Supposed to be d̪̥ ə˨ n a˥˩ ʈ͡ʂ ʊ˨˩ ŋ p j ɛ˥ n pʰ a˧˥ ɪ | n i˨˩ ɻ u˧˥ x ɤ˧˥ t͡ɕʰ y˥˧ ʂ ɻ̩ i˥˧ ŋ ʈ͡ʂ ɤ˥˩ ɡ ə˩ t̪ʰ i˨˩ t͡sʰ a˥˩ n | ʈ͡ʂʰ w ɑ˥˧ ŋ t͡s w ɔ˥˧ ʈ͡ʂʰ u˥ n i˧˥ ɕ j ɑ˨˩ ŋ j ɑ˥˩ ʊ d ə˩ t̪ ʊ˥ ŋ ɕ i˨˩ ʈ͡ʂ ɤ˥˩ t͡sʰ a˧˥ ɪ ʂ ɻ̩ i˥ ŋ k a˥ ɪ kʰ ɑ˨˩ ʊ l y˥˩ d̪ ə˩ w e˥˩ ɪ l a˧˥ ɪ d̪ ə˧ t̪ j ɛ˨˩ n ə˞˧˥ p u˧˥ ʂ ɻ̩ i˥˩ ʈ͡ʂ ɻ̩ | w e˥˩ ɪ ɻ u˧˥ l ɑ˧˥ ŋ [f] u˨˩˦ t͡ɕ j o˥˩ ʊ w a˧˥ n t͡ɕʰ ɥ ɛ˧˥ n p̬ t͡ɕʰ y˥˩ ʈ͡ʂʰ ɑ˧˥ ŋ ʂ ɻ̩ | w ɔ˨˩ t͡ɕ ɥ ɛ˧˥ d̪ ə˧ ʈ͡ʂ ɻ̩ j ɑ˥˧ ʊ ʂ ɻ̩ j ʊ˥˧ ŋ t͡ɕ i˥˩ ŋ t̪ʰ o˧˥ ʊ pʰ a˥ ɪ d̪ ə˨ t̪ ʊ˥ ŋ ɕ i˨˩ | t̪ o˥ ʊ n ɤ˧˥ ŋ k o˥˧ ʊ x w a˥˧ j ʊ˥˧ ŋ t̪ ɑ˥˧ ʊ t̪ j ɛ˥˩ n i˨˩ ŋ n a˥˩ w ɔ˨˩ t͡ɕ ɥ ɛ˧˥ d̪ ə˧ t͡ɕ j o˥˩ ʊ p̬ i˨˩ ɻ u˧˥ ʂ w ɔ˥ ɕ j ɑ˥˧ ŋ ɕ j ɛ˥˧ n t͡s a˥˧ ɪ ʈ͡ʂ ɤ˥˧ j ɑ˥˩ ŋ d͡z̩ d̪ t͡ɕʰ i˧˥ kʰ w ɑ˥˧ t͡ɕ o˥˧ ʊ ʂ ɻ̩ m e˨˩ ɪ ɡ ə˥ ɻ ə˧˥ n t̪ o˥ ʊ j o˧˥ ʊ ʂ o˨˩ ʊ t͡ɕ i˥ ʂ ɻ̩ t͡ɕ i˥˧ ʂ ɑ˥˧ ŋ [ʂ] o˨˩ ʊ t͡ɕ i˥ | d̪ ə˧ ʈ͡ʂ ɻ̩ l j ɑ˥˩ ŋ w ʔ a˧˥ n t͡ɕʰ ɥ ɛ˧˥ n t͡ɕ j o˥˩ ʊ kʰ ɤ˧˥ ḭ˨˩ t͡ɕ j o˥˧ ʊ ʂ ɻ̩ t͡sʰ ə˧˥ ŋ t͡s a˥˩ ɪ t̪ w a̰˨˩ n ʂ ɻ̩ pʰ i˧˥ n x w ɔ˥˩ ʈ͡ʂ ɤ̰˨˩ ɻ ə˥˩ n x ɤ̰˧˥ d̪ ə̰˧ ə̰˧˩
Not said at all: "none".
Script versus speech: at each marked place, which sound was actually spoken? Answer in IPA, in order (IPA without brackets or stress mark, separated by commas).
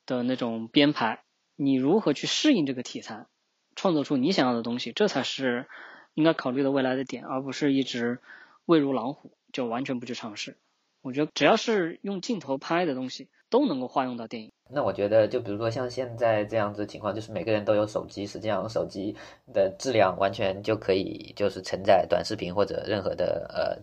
x, ʂ